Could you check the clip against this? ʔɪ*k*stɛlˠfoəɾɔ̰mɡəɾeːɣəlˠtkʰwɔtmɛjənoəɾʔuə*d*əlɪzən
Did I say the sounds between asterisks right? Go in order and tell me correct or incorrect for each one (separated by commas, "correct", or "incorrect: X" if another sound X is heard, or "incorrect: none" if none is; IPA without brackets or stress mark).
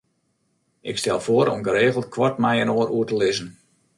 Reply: correct, incorrect: t